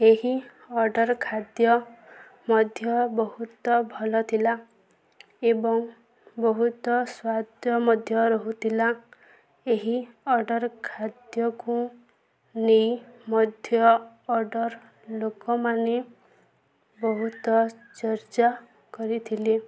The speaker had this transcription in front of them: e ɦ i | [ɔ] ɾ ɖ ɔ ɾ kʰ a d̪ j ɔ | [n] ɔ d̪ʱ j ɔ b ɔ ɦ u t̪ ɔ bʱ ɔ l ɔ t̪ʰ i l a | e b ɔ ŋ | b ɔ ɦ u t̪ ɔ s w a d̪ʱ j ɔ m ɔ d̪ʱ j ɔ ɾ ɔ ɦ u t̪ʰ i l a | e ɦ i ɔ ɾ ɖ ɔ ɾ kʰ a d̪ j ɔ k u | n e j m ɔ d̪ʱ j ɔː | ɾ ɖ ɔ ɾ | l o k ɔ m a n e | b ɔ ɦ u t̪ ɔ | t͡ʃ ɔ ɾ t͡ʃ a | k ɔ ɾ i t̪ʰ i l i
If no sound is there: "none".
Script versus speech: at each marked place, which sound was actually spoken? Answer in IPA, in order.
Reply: ɔ, m

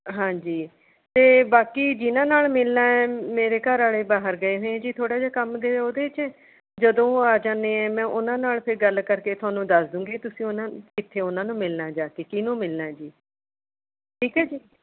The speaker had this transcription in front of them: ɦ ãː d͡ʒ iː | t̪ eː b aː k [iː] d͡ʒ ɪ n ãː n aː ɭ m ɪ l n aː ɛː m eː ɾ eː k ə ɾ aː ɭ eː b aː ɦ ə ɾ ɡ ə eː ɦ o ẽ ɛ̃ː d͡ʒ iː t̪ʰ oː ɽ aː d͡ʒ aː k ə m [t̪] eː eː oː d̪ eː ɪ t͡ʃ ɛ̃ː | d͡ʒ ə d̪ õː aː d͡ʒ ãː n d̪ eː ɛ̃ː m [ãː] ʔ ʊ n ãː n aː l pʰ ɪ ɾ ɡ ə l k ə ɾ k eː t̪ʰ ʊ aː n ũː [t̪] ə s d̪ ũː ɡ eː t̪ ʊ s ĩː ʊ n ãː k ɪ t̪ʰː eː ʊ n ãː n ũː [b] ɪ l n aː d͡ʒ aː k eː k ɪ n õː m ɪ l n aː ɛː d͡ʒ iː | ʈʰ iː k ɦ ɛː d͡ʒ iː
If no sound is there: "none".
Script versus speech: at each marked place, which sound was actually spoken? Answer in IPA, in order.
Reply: iː, d̪, ɛ̃ː, d̪, m

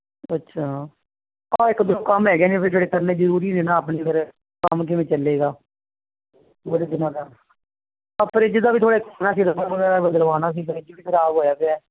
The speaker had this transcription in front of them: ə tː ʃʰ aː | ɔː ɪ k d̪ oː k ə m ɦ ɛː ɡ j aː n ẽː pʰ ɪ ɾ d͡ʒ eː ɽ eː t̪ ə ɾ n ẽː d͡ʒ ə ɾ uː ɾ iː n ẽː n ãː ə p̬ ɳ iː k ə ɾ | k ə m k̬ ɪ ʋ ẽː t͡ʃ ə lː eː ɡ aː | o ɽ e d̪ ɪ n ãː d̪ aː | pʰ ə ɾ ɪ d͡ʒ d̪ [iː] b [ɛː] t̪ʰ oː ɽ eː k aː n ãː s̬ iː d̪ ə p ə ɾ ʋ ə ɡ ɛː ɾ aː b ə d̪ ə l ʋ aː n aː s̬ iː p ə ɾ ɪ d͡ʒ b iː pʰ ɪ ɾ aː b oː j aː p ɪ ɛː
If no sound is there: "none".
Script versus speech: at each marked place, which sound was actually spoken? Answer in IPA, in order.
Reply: aː, iː

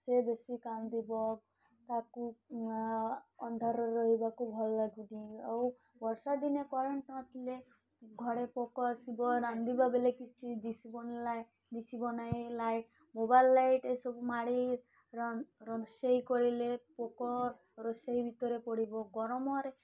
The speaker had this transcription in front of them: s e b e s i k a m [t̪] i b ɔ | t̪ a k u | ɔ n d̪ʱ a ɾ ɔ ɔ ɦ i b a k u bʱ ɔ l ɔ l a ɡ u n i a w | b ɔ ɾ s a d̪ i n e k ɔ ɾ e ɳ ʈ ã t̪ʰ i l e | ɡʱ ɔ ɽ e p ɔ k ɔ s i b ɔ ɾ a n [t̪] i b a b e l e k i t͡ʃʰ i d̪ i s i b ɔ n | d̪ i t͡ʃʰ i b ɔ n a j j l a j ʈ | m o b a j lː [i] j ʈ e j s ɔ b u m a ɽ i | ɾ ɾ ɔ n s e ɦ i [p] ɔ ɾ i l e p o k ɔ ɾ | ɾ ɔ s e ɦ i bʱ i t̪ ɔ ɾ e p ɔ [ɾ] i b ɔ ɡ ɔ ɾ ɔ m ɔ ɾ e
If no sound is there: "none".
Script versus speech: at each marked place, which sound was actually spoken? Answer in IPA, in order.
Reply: d̪, d̪, a, k, ɽ

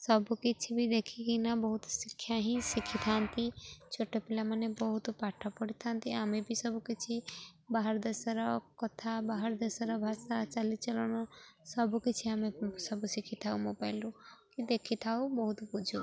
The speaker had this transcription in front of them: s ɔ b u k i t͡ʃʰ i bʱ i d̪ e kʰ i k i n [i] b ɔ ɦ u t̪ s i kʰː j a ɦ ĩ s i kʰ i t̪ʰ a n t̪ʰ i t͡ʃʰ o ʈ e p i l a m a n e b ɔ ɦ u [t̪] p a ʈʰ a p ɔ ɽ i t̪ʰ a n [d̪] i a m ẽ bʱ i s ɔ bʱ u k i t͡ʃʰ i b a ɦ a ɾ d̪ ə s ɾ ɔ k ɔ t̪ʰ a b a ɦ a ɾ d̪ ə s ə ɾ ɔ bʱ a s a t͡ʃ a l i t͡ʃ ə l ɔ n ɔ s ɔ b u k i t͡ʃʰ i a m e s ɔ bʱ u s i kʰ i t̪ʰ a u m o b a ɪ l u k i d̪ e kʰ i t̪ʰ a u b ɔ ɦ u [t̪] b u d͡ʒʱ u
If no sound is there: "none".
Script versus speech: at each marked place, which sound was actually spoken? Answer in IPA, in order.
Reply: a, t̪, t̪, t̪

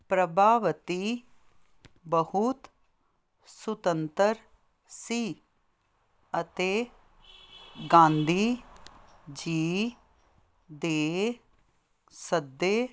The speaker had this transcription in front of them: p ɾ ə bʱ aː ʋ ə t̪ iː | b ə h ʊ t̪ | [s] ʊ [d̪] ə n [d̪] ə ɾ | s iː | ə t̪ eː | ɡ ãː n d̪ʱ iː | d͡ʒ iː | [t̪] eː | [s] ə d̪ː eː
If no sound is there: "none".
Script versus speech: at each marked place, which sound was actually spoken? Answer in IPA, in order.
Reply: s, t̪, t̪, d̪, s

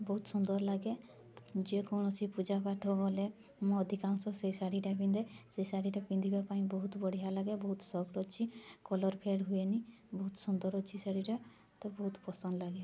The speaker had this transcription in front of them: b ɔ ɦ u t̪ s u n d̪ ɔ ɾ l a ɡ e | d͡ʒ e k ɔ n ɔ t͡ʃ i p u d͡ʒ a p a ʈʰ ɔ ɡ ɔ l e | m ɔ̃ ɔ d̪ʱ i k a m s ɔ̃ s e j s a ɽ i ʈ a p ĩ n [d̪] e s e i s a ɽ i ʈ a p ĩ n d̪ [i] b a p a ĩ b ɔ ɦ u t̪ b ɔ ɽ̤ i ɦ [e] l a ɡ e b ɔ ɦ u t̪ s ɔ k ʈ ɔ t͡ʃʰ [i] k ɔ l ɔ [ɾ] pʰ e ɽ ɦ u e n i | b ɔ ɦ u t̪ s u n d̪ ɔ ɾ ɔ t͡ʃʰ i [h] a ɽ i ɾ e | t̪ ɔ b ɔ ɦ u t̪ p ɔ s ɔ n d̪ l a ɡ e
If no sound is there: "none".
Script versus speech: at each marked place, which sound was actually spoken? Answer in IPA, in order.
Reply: d̪, i, a, i, ɾ, s

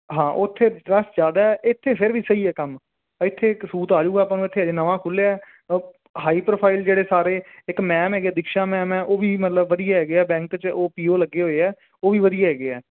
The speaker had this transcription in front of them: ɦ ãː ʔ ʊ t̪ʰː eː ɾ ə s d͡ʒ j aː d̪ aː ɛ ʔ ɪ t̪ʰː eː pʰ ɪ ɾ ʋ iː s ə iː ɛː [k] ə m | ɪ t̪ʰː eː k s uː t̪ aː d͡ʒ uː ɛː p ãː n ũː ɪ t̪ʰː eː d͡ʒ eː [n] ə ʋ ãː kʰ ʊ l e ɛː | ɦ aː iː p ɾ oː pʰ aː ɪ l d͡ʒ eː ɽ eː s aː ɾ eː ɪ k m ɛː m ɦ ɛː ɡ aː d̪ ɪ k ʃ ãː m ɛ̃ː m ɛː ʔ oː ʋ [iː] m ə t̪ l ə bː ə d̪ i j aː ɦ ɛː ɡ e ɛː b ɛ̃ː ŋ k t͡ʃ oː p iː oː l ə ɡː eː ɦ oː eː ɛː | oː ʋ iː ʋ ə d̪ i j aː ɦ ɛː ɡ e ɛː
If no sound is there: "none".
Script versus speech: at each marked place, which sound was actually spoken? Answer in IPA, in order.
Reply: k, n, iː

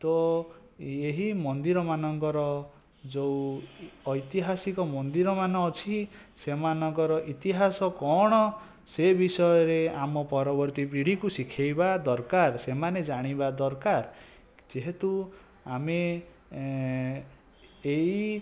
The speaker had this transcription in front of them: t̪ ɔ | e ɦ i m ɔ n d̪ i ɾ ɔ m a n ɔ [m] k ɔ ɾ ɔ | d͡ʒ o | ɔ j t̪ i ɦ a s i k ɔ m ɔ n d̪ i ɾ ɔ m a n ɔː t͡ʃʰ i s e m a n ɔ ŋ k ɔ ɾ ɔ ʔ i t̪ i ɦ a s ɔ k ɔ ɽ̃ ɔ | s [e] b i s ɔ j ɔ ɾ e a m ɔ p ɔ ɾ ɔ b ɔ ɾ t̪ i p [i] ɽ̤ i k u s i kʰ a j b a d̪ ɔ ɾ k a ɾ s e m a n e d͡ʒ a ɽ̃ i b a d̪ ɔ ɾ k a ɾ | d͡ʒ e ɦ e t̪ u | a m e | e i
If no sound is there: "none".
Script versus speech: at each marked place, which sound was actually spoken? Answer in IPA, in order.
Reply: ŋ, e, i

